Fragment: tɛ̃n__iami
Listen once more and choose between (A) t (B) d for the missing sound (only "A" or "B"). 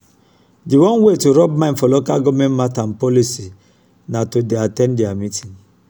B